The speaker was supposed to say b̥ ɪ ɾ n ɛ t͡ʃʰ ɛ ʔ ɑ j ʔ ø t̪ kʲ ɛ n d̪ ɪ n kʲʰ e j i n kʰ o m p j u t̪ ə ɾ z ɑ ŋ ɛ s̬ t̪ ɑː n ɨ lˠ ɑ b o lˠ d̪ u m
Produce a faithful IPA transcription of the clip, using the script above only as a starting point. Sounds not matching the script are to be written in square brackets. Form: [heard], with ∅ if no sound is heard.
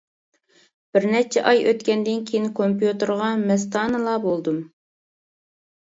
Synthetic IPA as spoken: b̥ ɪ ɾ n ɛ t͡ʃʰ ɛ ʔ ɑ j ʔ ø t̪ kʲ ɛ n d̪ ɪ n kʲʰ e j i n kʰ o m p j u t̪ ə ɾ [ʁ] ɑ [m] ɛ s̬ t̪ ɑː n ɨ lˠ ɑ b o lˠ d̪ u m